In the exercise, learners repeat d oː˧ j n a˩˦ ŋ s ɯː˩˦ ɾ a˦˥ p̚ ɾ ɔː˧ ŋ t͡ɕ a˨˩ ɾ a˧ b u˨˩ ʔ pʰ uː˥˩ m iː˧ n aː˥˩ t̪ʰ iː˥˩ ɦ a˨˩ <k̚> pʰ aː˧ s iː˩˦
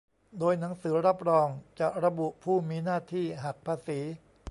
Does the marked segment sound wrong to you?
no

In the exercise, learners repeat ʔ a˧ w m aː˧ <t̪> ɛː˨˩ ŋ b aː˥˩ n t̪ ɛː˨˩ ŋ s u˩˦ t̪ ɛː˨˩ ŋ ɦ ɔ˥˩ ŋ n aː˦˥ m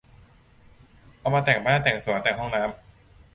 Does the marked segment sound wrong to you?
no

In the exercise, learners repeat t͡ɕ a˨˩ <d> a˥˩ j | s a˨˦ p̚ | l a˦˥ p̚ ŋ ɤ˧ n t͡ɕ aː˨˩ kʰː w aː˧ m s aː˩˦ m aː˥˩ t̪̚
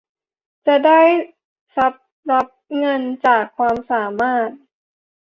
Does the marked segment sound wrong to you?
no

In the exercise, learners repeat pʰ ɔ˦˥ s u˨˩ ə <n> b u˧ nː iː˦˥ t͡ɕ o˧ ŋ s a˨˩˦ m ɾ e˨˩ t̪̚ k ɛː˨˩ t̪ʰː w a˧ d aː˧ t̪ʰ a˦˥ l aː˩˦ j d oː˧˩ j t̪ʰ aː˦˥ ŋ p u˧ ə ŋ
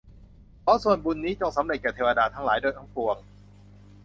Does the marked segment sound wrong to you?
no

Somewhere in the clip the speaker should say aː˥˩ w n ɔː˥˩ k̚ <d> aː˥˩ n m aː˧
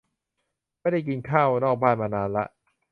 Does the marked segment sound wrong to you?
yes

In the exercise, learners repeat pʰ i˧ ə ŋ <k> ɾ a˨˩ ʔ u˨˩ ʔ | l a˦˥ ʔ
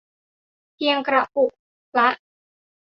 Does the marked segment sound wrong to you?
no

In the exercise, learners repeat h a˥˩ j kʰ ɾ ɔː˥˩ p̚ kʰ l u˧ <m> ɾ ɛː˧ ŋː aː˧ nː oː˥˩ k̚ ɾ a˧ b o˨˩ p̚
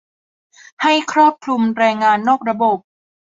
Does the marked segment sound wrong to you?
no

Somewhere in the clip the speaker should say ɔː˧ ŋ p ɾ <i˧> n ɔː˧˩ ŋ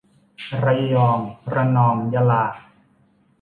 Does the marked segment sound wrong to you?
yes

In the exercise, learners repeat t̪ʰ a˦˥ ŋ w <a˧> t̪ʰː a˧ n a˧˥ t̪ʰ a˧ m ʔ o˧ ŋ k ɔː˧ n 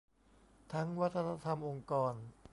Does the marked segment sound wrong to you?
yes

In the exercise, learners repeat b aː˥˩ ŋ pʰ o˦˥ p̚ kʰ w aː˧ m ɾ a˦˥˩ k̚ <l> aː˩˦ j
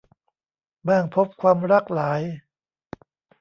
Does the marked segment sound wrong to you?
no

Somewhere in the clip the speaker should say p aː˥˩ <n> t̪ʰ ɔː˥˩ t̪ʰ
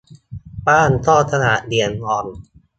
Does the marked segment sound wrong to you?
no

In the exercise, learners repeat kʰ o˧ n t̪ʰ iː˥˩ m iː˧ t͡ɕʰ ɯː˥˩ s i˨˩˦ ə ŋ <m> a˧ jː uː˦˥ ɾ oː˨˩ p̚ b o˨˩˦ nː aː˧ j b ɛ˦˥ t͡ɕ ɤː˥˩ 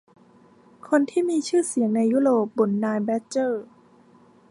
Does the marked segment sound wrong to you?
yes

